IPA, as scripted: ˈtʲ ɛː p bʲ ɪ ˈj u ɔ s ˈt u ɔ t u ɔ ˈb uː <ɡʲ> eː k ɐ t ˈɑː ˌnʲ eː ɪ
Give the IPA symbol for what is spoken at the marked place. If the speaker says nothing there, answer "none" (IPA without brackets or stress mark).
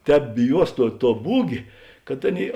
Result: ɡʲ